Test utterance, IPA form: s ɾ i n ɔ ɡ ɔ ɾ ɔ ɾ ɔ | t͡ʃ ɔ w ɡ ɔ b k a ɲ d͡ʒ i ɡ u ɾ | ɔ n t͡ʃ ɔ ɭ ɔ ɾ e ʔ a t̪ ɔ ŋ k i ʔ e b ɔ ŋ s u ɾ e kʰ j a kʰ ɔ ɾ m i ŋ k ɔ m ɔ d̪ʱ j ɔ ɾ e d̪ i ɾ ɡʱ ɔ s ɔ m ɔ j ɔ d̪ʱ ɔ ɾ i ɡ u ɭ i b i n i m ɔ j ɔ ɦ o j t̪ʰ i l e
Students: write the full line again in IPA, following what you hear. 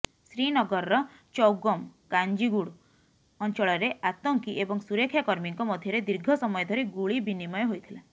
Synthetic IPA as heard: s ɾ i n ɔ ɡ ɔ ɾ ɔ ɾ ɔ | t͡ʃ ɔ w ɡ ɔ m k a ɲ d͡ʒ i ɡ u ɽ | ɔ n t͡ʃ ɔ ɭ ɔ ɾ e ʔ a t̪ ɔ ŋ k i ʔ e b ɔ ŋ s u ɾ e kʰ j a k ɔ ɾ m i ŋ k ɔ m ɔ d̪ʱ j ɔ ɾ e d̪ i ɾ ɡʱ ɔ s ɔ m ɔ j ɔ d̪ʱ ɔ ɾ i ɡ u ɭ i b i n i m ɔ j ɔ ɦ o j t̪ʰ i l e